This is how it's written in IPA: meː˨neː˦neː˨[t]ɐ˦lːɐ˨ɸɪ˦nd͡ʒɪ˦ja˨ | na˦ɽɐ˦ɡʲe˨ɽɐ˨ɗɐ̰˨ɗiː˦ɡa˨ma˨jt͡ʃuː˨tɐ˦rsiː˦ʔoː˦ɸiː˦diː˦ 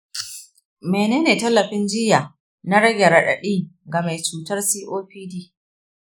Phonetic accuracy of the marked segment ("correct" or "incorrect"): correct